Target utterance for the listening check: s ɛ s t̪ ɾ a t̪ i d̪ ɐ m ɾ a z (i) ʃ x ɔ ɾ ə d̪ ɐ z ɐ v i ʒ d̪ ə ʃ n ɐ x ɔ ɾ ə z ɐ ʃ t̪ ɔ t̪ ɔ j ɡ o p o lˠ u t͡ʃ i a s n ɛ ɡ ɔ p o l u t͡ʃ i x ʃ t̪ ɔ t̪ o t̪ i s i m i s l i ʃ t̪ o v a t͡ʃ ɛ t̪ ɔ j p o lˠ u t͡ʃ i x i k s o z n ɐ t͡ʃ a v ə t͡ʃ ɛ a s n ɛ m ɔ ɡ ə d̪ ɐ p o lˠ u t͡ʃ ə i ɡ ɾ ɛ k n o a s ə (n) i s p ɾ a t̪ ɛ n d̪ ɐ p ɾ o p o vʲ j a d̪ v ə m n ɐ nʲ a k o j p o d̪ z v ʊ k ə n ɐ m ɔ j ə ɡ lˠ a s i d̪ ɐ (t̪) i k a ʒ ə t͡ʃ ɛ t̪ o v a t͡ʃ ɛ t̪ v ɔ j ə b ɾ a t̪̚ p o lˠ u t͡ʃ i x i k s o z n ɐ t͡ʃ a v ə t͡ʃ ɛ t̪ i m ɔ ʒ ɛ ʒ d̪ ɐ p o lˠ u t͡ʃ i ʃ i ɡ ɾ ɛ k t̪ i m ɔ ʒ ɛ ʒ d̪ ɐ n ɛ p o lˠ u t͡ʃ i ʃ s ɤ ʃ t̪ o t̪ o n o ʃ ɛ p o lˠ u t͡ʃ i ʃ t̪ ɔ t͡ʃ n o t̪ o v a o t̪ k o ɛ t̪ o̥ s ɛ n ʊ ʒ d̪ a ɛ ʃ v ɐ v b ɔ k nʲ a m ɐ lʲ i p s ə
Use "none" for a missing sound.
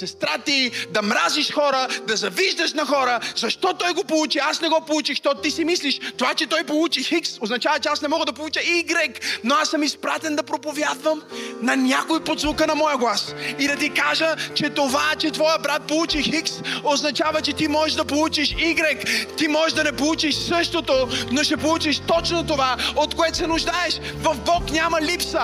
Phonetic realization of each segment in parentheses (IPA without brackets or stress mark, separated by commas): i, m, t̪